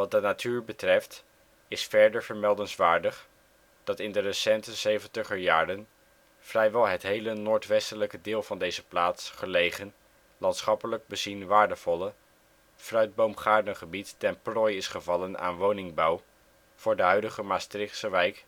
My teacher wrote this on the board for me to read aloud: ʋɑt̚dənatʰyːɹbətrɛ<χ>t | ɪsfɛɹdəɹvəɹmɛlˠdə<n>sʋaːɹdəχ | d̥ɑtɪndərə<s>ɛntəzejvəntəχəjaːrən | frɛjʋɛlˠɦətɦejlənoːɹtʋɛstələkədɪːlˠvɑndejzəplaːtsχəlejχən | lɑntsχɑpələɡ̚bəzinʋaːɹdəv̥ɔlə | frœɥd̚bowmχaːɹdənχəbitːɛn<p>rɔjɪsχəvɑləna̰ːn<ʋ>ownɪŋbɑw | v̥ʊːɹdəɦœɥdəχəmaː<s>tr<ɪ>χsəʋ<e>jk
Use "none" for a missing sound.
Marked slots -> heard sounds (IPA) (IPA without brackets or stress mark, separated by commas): f, n, s, p, ʋ, s, ɪ, ɛ